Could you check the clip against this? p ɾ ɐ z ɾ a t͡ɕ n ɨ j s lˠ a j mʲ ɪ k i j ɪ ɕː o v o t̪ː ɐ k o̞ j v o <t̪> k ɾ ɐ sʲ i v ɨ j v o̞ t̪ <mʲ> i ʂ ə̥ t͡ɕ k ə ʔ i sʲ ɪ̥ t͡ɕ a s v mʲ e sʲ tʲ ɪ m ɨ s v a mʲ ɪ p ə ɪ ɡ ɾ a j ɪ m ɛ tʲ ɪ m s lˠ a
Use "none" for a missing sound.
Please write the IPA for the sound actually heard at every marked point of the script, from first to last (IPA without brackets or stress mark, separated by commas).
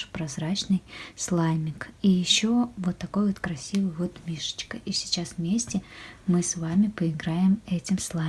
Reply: t̪, mʲ